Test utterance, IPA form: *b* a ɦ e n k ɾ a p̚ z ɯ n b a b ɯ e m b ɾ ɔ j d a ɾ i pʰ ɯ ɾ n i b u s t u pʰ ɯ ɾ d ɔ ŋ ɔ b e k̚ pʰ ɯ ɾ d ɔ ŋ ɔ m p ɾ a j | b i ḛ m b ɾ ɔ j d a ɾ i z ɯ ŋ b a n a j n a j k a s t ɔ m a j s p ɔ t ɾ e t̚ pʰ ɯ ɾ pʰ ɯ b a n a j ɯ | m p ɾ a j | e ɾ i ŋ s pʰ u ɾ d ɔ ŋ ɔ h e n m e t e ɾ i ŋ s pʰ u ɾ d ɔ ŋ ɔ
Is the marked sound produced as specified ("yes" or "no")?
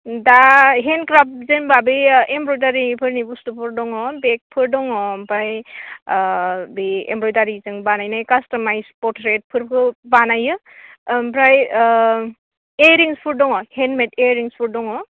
no